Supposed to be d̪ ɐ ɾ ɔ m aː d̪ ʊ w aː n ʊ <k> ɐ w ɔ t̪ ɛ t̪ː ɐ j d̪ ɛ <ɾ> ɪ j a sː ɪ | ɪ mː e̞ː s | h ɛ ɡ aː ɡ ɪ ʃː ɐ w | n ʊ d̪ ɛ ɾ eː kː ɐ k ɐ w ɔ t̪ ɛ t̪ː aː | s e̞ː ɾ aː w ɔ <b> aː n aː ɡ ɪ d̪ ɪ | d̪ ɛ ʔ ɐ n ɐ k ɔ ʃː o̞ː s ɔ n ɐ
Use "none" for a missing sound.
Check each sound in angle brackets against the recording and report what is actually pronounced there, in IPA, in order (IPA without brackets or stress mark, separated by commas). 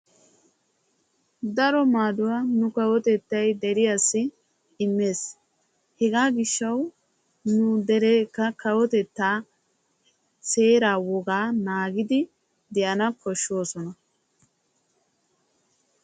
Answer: k, ɾ, ɡ